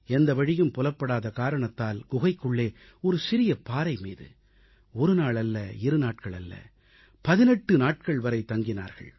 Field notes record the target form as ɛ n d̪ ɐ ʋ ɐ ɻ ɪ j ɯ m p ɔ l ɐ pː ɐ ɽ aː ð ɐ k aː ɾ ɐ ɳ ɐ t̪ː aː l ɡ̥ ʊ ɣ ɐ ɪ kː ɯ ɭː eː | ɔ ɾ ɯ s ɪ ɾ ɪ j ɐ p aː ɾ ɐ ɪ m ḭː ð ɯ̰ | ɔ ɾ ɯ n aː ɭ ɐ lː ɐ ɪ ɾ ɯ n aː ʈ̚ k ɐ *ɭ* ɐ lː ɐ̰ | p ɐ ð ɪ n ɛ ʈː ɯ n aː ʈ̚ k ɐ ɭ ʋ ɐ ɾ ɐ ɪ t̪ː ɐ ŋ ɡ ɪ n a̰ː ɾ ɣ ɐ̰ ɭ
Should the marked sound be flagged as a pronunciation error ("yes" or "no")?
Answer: no